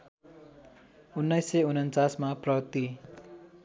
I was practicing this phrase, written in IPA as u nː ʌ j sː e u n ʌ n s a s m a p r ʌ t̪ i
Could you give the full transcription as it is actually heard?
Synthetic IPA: u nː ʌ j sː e u n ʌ n t͡s a s m a p r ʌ t̪ i